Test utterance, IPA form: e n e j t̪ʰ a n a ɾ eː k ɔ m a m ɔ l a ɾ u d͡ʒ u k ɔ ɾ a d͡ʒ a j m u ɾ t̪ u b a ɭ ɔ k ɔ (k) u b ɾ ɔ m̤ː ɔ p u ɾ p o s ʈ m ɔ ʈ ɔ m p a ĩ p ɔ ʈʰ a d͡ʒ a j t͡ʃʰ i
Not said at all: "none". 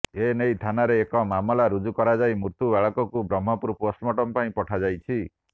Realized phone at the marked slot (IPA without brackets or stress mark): k